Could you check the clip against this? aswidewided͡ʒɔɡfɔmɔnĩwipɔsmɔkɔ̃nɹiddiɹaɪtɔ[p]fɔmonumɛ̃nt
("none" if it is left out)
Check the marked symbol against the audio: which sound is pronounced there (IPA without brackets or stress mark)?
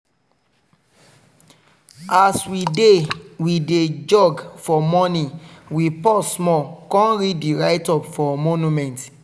p